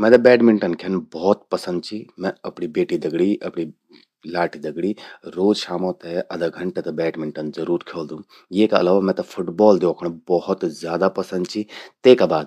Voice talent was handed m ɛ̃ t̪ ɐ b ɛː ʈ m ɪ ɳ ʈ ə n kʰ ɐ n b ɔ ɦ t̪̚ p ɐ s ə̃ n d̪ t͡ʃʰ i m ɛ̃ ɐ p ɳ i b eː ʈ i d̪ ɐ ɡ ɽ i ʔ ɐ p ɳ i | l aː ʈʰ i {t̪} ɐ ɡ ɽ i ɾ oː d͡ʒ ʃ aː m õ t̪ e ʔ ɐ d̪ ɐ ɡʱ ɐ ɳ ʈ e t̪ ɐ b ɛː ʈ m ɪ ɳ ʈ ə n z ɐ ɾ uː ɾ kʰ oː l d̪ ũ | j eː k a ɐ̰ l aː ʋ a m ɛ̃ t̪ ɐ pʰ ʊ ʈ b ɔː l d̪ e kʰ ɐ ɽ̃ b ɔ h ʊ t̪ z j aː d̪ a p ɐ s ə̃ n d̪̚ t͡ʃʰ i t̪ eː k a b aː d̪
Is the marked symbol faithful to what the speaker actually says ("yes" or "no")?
no